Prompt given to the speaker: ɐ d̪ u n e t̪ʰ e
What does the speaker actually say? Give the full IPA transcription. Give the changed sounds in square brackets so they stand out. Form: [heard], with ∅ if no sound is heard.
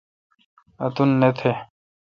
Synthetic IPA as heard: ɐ [t̪] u [nː] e t̪ʰ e